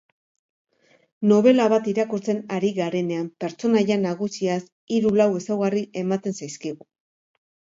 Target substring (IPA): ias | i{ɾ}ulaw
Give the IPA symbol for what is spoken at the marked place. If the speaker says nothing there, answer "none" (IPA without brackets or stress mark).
ɾ